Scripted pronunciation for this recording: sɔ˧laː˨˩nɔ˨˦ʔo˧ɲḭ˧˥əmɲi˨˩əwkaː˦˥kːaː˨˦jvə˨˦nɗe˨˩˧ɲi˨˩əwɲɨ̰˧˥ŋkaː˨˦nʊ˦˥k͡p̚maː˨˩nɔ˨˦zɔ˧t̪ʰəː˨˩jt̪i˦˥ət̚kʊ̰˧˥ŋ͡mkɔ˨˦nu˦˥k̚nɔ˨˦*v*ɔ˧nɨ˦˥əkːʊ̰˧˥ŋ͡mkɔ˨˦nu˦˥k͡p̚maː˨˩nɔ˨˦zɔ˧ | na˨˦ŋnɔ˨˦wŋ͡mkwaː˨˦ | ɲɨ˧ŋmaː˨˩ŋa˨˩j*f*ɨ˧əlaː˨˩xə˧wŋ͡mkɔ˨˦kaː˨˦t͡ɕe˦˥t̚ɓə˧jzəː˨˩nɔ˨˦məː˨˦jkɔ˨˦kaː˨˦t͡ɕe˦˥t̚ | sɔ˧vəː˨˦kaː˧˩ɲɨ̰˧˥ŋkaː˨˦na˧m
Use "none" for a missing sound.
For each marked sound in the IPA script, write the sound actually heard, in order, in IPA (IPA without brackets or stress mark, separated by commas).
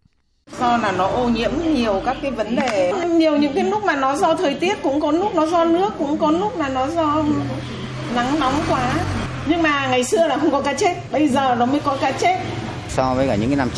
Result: z, s